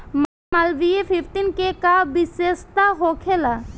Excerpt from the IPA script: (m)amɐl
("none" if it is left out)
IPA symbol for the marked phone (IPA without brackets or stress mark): m